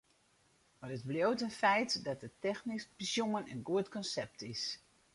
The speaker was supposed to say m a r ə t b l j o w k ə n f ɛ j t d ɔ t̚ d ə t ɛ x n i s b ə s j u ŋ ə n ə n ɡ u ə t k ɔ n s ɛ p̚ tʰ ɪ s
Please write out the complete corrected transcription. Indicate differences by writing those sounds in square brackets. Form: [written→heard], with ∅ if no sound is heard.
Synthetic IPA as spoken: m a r ə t b l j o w [k→t] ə n f ɛ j t d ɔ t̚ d ə t ɛ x n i s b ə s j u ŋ ə n ə n ɡ u ə t k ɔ n s ɛ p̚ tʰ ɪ s

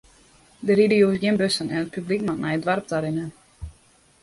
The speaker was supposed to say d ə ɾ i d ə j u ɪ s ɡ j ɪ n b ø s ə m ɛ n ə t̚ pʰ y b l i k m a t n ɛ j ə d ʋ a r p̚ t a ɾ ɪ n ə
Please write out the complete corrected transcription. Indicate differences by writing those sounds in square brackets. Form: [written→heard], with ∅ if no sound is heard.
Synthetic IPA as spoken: d ə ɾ i d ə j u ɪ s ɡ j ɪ n b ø s ə [m→n] ɛ n ə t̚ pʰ y b l i k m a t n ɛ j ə d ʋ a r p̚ t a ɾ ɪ n ə

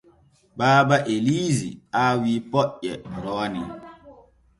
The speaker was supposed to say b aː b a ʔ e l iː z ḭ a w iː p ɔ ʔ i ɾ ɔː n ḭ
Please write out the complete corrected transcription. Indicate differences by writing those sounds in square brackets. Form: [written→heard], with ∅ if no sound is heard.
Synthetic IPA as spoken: b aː b a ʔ e l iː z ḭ a w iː p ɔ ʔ [i→ɛ] ɾ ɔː n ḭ

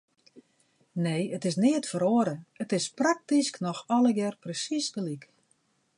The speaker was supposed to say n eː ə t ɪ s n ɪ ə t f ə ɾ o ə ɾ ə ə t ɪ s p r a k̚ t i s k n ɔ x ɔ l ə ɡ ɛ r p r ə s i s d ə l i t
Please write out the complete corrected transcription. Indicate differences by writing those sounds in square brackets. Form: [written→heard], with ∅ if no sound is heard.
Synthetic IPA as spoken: n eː ə t ɪ s n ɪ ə t f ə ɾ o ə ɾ ə ə t ɪ s p r a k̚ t i s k n ɔ x ɔ l ə ɡ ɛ r p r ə s i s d ə l i [t→k]

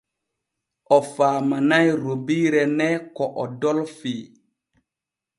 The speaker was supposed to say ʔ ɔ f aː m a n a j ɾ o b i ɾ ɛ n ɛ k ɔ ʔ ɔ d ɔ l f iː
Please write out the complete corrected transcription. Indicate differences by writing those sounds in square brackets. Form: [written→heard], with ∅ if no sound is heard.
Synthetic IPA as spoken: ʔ ɔ f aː m a n a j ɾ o b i ɾ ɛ n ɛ k ɔ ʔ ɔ d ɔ l f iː

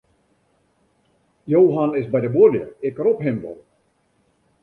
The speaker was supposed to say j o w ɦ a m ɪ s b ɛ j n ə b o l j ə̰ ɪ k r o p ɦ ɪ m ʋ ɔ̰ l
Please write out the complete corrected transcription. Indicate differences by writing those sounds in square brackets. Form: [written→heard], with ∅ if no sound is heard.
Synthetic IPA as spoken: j o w ɦ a [m→n] ɪ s b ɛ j [n→d] ə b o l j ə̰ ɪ k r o p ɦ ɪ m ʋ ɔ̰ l

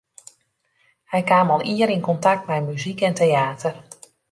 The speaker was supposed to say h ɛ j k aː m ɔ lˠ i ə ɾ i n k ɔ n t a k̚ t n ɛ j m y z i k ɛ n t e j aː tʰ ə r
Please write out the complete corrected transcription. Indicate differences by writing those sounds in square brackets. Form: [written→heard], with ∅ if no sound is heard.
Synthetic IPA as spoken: h ɛ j k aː m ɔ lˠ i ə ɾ i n k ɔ n t a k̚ t [n→m] ɛ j m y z i k ɛ n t e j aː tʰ ə r

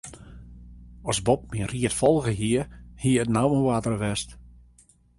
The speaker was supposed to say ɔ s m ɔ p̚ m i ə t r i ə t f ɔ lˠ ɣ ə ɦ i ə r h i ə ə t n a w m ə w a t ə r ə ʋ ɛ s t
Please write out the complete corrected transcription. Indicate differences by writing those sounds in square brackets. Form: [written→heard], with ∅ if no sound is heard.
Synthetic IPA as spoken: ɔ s [m→b] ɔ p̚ m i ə [t→∅] r i ə t f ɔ lˠ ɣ ə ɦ i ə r h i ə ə t n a w m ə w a t ə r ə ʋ ɛ s t

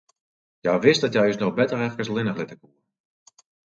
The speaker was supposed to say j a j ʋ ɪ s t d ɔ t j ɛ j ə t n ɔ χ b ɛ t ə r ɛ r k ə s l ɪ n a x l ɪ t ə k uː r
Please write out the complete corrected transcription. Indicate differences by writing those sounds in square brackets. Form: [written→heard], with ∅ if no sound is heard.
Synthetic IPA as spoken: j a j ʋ ɪ s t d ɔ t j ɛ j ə [t→s] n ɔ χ b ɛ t ə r ɛ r k ə s l ɪ n [a→ə] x l ɪ t ə k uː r

